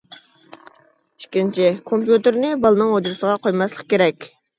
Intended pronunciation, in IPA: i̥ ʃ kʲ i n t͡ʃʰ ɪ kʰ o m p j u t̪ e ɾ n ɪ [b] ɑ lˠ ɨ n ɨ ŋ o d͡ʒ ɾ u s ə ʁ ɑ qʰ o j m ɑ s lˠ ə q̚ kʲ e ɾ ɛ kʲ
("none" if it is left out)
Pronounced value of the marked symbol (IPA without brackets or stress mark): b